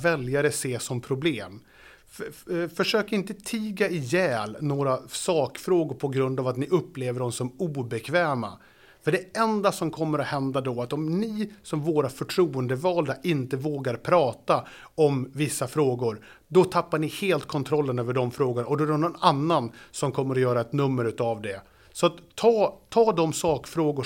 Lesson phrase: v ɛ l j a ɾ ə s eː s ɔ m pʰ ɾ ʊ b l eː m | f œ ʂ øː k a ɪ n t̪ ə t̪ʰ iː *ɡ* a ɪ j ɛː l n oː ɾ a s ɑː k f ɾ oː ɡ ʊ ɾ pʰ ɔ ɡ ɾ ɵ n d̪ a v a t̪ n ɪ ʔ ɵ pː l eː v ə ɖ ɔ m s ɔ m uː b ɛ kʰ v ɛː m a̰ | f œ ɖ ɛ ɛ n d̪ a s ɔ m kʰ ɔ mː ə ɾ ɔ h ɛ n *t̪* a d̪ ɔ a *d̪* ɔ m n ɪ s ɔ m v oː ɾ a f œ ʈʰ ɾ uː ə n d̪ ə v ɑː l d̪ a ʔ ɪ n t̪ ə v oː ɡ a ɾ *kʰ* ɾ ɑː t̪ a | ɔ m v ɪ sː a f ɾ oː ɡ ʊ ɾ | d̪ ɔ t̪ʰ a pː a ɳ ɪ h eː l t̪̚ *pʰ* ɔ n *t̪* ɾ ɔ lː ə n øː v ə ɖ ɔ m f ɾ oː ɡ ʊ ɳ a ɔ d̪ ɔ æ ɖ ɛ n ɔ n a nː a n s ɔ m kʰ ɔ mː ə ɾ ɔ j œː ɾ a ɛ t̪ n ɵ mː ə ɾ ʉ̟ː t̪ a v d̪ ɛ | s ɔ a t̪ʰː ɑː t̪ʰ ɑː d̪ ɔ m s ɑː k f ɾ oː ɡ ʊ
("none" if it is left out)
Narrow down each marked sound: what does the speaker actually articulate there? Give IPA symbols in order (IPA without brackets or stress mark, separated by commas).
ɡ, d̪, t̪, pʰ, kʰ, t̪ʰ